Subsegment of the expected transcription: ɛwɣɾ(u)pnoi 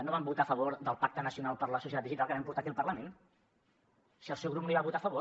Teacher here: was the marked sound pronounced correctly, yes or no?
yes